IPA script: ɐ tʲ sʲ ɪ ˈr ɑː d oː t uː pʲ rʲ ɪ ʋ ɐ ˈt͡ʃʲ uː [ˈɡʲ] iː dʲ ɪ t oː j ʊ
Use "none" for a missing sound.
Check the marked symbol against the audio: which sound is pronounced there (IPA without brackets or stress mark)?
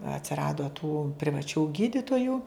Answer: ɡʲ